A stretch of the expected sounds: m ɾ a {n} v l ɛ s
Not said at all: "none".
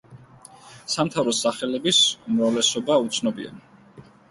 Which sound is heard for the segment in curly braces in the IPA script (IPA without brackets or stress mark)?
none